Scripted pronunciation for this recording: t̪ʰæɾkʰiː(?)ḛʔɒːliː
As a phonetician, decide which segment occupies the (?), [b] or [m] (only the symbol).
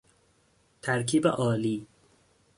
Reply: b